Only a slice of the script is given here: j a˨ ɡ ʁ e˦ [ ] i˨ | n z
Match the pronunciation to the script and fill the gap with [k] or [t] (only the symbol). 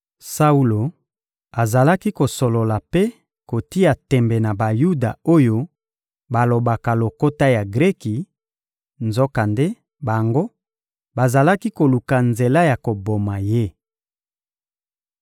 k